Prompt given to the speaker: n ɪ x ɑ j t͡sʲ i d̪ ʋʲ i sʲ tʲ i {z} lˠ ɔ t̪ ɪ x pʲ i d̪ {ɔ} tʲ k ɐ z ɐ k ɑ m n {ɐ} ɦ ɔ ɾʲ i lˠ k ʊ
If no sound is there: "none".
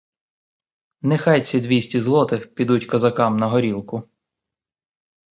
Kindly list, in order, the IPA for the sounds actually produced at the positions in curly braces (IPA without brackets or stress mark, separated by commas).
z, u, ɐ